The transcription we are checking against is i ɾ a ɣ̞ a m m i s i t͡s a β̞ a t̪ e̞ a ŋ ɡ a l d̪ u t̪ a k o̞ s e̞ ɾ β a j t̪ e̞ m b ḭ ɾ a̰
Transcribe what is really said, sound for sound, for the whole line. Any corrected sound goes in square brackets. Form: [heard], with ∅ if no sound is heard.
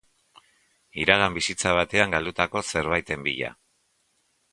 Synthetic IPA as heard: i ɾ a ɣ̞ a m [b] i s i t͡s a β̞ a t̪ e̞ a ŋ ɡ a l d̪ u t̪ a k o̞ s e̞ ɾ β a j t̪ e̞ m b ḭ [ʎ] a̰

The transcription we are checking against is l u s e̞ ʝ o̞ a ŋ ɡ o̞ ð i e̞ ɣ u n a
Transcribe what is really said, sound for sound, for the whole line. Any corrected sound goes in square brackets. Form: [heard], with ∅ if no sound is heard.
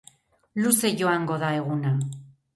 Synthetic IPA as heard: l u s e̞ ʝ o̞ a ŋ ɡ o̞ ð [a] e̞ ɣ u n a

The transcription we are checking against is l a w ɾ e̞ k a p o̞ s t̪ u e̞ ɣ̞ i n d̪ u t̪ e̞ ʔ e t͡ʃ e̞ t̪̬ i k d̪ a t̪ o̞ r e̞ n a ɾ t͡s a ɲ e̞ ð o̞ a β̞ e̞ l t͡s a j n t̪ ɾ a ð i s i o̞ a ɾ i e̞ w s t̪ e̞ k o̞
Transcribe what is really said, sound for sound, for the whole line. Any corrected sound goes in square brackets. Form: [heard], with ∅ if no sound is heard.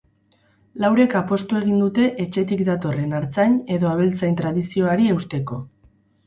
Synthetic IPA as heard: l a w ɾ e̞ k a p o̞ s t̪ u e̞ ɣ̞ i n d̪ u t̪ e̞ ʔ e t͡ʃ e̞ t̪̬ i k d̪ a t̪ o̞ r e̞ n a ɾ t͡s a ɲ e̞ ð o̞ a β̞ e̞ l t͡s a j n t̪ ɾ a ð i s i o̞ a ɾ i e̞ w s t̪ e̞ k o̞

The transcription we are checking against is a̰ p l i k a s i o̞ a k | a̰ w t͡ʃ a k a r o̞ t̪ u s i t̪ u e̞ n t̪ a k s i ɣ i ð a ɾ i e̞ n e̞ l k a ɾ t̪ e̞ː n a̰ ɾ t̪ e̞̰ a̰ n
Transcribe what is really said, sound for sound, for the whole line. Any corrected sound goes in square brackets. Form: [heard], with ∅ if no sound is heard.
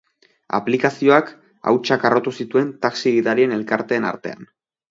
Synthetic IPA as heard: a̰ p l i k a s i o̞ a k | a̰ w t͡ʃ a k a r o̞ t̪ u s i t̪ u e̞ n t̪ a k s i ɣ i ð a ɾ i e̞ n e̞ l k a ɾ t̪ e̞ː n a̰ ɾ t̪ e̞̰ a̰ n

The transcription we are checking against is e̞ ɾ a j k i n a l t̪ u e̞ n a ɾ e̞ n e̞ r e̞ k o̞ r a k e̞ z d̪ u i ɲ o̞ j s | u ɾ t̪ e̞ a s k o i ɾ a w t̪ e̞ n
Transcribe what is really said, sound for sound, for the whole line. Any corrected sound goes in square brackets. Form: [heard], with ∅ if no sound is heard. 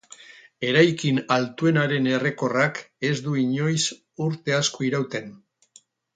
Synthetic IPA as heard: e̞ ɾ a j k i n a l t̪ u e̞ n a ɾ e̞ n e̞ r e̞ k o̞ r a k e̞ z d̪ u i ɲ o̞ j s | u ɾ t̪ e̞ a s k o i ɾ a w t̪ e̞ n

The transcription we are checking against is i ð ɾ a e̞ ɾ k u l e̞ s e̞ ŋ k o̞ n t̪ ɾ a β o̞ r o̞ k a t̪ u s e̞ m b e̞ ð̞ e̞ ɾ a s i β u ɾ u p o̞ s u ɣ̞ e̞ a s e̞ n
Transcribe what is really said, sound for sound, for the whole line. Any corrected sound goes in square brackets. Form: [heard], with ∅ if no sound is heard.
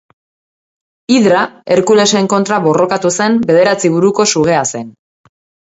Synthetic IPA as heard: i ð ɾ a e̞ ɾ k u l e̞ s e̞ ŋ k o̞ n t̪ ɾ a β o̞ r o̞ k a t̪ u s e̞ m b e̞ ð̞ e̞ ɾ a [t͡s] i β u ɾ u [k] o̞ s u ɣ̞ e̞ a s e̞ n

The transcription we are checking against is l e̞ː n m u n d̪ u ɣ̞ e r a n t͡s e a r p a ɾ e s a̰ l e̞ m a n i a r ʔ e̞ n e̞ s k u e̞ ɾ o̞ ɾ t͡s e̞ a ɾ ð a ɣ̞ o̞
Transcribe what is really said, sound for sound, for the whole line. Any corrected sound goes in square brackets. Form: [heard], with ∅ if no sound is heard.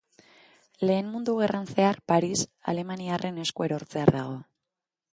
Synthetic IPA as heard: l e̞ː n m u n d̪ u ɣ̞ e r a n t͡s e a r p a ɾ [i] s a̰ l e̞ m a n i a r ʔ e̞ n e̞ s k u e̞ ɾ o̞ ɾ t͡s e̞ a ɾ ð a ɣ̞ o̞

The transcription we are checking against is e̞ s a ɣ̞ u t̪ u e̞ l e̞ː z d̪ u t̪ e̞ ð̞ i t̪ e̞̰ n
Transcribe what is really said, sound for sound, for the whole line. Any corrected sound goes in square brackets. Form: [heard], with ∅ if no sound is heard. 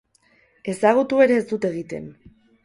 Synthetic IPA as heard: e̞ s a ɣ̞ u t̪ u e̞ [ɾ] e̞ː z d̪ u t̪ e̞ [ɣ̞] i t̪ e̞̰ n

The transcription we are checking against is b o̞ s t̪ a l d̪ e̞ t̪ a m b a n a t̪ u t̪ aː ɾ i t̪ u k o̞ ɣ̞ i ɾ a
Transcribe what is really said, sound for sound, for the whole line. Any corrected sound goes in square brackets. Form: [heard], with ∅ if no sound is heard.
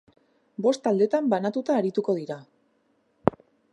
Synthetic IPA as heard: b o̞ s t̪ a l d̪ e̞ t̪ a m b a n a t̪ u t̪ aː ɾ i t̪ u k o̞ [ð̞] i ɾ a

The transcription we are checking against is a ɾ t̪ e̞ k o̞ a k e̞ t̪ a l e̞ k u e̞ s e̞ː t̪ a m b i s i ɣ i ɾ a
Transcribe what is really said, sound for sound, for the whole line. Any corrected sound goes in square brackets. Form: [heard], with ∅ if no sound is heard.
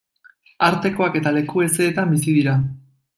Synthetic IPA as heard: a ɾ t̪ e̞ k o̞ a k e̞ t̪ a l e̞ k u e̞ s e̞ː t̪ a m b i s i [ð] i ɾ a

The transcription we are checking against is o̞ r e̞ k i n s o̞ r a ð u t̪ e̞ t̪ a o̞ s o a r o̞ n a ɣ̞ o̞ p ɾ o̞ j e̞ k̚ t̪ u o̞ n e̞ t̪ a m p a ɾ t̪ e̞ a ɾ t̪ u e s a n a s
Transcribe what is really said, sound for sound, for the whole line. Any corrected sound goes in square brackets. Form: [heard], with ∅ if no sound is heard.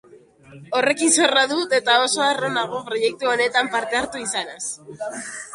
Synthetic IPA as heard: o̞ r e̞ k i n s o̞ r a ð u t̪ e̞ t̪ a o̞ s o a r o̞ n a ɣ̞ o̞ p ɾ o̞ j e̞ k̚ t̪ u o̞ n e̞ t̪ a m p a ɾ t̪ e̞ a ɾ t̪ u [i] s a n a s

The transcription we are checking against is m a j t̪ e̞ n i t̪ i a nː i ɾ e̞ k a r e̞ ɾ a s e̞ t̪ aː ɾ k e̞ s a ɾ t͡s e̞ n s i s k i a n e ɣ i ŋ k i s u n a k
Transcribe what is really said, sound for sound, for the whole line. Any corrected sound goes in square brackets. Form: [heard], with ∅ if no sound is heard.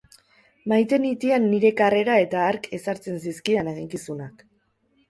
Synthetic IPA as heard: m a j t̪ e̞ n i t̪ i a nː i ɾ e̞ k a r e̞ ɾ a [∅] e̞ t̪ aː ɾ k e̞ s a ɾ t͡s e̞ n s i s k i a n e ɣ i ŋ k i s u n a k

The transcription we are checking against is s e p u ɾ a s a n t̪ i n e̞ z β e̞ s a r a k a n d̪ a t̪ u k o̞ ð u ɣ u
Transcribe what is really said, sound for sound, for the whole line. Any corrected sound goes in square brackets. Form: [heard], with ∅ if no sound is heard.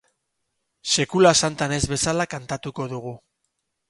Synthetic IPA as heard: s e [k] u [l] a s a n t̪ [a] n e̞ z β e̞ s a [l] a k a n [t̪] a t̪ u k o̞ ð u ɣ u

